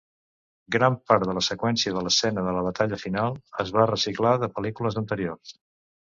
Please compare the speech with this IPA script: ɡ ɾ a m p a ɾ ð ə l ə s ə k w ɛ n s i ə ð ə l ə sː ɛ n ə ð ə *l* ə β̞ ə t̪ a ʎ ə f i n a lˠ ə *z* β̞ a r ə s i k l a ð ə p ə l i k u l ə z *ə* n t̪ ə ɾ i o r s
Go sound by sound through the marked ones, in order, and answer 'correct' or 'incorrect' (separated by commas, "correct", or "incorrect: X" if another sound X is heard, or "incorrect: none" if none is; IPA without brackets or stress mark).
correct, correct, correct